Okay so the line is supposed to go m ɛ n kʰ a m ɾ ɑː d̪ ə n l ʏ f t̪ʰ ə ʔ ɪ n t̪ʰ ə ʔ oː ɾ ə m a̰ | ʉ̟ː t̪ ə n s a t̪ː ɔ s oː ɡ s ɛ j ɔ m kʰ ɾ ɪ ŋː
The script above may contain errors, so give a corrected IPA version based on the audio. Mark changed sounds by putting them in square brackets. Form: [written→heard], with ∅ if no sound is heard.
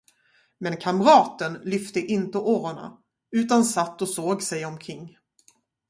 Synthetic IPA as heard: m ɛ n kʰ a m ɾ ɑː [d̪→t̪] ə n l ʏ f [t̪ʰ→t̪] ə ʔ ɪ n [t̪ʰ→t̪] ə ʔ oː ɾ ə [m→ɳ] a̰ | ʉ̟ː t̪ [ə→a] n s a t̪ː ɔ s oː ɡ s ɛ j ɔ m kʰ ɾ ɪ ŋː